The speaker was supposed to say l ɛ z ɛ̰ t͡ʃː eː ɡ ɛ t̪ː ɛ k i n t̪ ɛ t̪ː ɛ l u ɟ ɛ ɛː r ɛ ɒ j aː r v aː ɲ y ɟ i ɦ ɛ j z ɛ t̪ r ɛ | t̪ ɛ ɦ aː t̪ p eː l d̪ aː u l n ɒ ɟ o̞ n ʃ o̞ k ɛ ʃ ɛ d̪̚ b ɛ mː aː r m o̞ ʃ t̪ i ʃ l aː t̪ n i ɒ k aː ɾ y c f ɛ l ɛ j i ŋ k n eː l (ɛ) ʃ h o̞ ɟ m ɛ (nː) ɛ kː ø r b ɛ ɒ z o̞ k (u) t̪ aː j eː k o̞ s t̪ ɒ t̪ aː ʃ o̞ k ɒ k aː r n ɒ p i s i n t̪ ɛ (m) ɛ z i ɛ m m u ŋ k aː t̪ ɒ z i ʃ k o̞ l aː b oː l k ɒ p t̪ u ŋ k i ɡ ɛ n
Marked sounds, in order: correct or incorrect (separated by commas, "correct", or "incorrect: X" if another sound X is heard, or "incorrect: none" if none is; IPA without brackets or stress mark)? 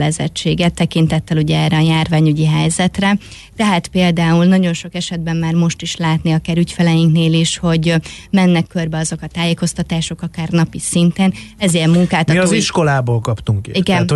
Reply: incorrect: i, correct, incorrect: ɒ, incorrect: n